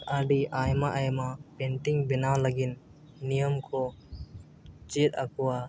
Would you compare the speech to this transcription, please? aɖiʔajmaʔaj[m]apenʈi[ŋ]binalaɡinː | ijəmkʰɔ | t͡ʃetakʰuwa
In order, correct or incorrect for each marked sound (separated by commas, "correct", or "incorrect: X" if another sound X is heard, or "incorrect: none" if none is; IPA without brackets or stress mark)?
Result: correct, correct